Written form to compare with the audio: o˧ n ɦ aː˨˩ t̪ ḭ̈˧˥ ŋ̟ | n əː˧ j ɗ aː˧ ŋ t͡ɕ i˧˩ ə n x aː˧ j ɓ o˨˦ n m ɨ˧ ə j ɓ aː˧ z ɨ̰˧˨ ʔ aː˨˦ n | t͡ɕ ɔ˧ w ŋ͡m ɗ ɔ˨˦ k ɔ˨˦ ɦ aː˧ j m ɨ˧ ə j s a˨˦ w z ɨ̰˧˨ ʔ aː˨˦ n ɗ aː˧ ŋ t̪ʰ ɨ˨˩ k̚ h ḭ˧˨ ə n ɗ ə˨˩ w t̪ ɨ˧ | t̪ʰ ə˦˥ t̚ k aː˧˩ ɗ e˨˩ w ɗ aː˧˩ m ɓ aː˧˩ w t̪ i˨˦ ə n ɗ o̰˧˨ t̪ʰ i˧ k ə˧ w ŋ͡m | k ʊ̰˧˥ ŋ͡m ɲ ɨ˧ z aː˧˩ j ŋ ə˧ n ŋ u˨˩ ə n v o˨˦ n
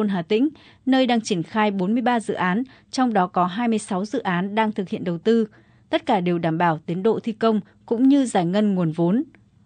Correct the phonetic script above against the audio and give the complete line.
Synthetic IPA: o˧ n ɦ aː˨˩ t̪ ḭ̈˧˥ ŋ̟ | n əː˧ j ɗ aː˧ ŋ t͡ɕ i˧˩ ə n x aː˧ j ɓ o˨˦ n m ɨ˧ ə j ɓ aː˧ z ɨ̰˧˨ ʔ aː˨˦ n | t͡ɕ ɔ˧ w ŋ͡m ɗ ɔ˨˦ k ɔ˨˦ ɦ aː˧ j m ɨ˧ ə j s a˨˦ w z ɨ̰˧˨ ʔ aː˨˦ n ɗ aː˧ ŋ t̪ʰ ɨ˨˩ k̚ h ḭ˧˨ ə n ɗ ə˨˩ w t̪ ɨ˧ | t̪ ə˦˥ t̚ k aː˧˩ ɗ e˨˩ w ɗ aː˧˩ m ɓ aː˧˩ w t̪ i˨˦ ə n ɗ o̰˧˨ t̪ʰ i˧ k ə˧ w ŋ͡m | k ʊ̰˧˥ ŋ͡m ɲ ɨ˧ z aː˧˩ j ŋ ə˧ n ŋ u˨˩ ə n v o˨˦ n